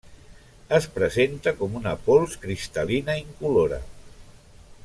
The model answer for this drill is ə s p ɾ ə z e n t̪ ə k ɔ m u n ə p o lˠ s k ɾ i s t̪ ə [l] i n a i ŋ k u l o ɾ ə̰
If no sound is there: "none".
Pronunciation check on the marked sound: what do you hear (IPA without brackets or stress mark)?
l